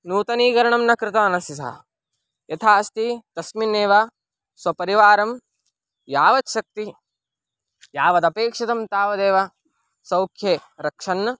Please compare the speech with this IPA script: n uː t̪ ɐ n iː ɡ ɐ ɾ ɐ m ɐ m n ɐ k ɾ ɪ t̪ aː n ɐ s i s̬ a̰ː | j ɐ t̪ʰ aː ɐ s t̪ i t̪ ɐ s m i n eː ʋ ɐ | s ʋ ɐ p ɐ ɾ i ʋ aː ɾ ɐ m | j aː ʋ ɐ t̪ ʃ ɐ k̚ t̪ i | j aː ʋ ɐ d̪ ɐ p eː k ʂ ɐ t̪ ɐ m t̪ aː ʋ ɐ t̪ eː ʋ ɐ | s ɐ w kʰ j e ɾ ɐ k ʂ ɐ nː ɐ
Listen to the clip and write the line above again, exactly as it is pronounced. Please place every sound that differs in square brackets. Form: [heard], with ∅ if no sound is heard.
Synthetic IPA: n uː t̪ ɐ n iː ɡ ɐ ɾ ɐ [ɳ] ɐ m n ɐ k ɾ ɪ t̪ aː n ɐ s i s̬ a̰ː | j ɐ t̪ʰ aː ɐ s t̪ i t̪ ɐ s m i n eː ʋ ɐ | s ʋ ɐ p ɐ ɾ i ʋ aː ɾ ɐ m | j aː ʋ ɐ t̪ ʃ ɐ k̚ t̪ i | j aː ʋ ɐ d̪ ɐ p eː k ʂ ɐ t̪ ɐ m t̪ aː ʋ ɐ [d̪] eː ʋ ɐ | s ɐ w kʰ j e ɾ ɐ k ʂ ɐ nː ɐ